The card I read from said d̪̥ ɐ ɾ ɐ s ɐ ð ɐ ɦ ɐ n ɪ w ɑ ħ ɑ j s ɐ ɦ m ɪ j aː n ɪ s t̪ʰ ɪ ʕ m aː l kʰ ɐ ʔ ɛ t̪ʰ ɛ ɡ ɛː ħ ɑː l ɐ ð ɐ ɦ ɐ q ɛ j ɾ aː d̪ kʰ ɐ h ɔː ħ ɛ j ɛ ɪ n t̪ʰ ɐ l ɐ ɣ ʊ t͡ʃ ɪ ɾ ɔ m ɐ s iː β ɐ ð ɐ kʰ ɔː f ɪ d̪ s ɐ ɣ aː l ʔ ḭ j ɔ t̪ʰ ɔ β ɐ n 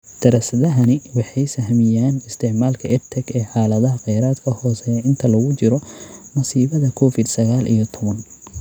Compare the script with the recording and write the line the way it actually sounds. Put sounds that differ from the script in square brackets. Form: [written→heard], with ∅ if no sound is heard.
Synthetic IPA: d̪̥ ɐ ɾ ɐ s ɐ ð ɐ ɦ ɐ n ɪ w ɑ ħ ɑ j s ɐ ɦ m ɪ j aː n ɪ s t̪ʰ ɪ ʕ m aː l kʰ ɐ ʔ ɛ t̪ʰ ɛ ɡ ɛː ħ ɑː l ɐ ð ɐ ɦ ɐ q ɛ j ɾ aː d̪ kʰ ɐ h ɔː [ħ→s] ɛ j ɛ ɪ n t̪ʰ ɐ l ɐ ɣ ʊ t͡ʃ ɪ ɾ ɔ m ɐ s iː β ɐ ð ɐ kʰ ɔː f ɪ d̪ s ɐ ɣ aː l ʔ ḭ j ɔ t̪ʰ ɔ β ɐ n